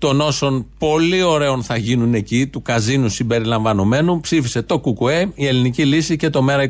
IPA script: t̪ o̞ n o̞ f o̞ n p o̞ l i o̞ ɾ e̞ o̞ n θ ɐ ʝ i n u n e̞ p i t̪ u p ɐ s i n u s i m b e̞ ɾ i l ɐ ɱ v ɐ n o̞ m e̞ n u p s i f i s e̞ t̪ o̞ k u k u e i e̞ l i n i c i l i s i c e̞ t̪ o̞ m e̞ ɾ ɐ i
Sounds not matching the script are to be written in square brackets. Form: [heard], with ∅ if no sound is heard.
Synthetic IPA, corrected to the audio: t̪ o̞ n o̞ [s] o̞ n p o̞ l i o̞ ɾ e̞ o̞ n θ ɐ ʝ i n u n e̞ [c] i t̪ u [k] ɐ [z] i n u s i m b e̞ ɾ i l ɐ ɱ v ɐ n o̞ m e̞ n u p s i f i s e̞ t̪ o̞ k u k u e i e̞ l i n i c i l i s i c e̞ t̪ o̞ m e̞ ɾ ɐ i